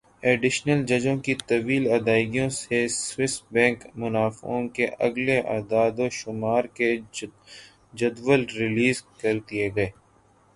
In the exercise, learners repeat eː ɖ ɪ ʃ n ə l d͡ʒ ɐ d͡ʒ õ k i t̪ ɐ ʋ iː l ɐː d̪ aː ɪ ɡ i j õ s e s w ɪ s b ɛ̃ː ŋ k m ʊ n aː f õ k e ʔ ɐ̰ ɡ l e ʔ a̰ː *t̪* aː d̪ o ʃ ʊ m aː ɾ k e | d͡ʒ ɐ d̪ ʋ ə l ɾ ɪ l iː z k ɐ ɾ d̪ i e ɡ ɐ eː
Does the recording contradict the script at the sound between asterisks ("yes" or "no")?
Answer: yes